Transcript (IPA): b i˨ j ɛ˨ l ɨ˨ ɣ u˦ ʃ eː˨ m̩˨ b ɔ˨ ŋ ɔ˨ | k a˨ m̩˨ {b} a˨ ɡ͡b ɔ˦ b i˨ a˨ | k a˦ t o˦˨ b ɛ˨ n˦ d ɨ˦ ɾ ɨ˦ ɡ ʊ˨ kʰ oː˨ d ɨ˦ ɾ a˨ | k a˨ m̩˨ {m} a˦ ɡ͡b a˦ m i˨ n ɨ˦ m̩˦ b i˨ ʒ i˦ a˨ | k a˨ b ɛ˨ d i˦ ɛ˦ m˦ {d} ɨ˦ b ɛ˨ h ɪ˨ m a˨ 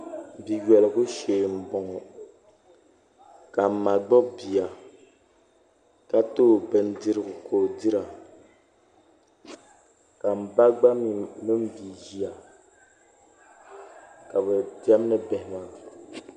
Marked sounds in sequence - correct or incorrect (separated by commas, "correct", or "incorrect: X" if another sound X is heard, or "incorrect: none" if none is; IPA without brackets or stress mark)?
incorrect: m, incorrect: b, incorrect: n